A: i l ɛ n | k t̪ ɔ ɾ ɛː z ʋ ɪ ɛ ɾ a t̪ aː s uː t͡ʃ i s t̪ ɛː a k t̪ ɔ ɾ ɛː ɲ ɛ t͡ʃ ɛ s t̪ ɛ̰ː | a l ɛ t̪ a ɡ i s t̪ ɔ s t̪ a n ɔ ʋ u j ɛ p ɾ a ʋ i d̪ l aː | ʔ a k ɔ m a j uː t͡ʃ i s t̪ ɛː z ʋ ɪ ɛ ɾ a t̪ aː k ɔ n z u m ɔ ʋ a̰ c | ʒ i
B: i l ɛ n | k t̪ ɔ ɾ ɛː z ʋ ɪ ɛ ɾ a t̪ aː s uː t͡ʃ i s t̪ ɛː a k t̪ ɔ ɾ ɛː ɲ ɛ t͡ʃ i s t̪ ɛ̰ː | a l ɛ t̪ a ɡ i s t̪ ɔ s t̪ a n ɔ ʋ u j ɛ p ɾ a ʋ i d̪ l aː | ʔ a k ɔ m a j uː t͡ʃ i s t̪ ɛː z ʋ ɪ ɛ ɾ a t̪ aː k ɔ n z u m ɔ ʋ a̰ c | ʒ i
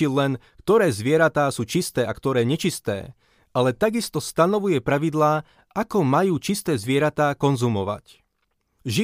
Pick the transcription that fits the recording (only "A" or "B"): B